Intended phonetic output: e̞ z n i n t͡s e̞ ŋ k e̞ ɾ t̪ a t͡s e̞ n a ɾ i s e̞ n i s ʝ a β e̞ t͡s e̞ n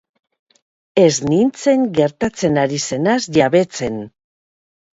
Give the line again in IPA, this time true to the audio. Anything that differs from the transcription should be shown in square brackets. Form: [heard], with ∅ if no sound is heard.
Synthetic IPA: e̞ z n i n t͡s e̞ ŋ [ɡ] e̞ ɾ t̪ a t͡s e̞ n a ɾ i s e̞ n [a] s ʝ a β e̞ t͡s e̞ n